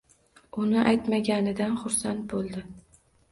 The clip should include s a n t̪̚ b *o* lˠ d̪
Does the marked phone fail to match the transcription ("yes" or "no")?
no